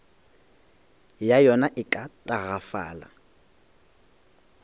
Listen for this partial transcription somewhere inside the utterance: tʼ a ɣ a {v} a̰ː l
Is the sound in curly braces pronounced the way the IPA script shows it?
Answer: no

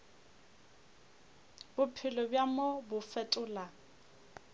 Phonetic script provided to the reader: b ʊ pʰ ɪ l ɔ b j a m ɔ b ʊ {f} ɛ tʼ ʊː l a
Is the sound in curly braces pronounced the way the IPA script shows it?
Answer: yes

